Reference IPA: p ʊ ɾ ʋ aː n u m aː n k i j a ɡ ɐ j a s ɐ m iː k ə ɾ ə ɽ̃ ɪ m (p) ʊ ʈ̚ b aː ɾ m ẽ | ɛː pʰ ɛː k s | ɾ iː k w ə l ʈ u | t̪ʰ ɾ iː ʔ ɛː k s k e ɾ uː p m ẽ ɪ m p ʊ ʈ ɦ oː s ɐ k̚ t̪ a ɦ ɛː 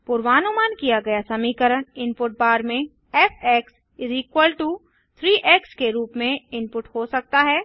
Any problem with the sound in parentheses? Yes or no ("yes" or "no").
no